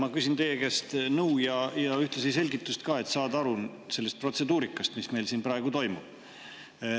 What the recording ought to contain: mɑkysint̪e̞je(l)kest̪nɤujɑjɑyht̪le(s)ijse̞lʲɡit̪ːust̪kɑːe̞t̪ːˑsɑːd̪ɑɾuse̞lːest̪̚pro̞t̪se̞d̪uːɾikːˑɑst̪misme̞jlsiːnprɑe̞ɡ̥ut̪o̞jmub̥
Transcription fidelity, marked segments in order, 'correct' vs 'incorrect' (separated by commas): incorrect, correct